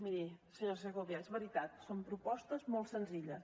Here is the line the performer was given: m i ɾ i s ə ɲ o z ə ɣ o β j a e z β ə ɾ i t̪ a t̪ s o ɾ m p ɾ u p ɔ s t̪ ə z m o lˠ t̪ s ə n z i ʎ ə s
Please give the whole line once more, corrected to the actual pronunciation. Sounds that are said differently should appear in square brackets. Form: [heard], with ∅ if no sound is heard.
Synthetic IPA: m i ɾ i s ə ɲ o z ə ɣ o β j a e z β ə ɾ i t̪ a t̪ s o [∅] m p ɾ u p ɔ s t̪ ə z m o lˠ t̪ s ə n z i ʎ ə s